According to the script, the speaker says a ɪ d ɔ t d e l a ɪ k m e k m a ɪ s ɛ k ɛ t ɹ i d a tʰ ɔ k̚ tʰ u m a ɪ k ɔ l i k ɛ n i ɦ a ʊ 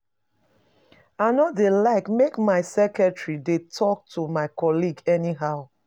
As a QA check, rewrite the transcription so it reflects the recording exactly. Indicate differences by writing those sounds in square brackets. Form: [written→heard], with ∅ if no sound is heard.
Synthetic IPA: a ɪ [d→n] ɔ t d e l a ɪ k m e k m a ɪ s ɛ k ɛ t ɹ i d [a→e] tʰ ɔ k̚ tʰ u m a ɪ k ɔ l i [k→ɡ] ɛ n i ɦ a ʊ